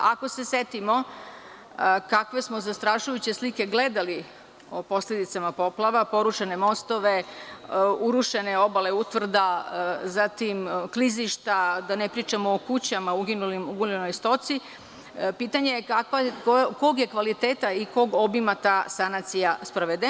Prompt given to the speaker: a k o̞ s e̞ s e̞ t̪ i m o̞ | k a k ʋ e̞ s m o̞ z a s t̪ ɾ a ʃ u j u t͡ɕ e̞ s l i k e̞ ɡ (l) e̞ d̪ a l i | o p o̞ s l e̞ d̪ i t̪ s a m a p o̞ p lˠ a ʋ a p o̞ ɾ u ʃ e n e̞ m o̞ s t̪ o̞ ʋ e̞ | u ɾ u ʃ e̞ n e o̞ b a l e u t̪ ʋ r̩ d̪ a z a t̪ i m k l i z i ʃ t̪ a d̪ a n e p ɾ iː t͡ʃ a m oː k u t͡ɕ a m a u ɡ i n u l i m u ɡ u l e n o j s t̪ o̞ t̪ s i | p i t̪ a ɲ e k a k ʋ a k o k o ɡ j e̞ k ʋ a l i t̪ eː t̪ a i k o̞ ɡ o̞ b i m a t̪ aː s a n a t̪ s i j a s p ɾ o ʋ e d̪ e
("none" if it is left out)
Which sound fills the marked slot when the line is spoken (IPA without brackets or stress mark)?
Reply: l